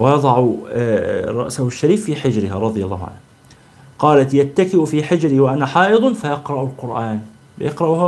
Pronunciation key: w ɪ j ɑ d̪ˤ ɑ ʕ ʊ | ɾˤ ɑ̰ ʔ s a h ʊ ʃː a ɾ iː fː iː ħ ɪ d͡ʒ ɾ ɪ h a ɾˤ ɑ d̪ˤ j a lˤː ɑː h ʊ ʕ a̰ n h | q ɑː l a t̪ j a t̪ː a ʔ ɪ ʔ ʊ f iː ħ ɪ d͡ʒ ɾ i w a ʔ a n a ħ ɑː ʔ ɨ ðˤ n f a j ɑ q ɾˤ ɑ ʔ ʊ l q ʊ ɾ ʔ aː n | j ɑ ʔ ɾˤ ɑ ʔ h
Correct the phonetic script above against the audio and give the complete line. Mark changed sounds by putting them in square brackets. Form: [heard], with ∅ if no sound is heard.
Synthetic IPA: w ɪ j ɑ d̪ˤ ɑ ʕ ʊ | ɾˤ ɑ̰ ʔ s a h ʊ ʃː a ɾ iː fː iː ħ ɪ d͡ʒ ɾ ɪ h a ɾˤ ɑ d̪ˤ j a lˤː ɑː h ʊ ʕ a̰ n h | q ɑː l a t̪ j a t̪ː a [k] ɪ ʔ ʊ f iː ħ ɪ d͡ʒ ɾ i w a ʔ a n a ħ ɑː ʔ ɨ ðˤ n f a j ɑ q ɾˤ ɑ ʔ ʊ l q ʊ ɾ ʔ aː n | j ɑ [q] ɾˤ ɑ ʔ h